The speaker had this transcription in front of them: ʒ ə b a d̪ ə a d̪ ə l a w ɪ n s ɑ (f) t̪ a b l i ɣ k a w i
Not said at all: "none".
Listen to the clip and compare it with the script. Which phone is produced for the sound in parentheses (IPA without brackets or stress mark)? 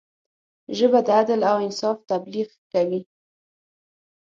f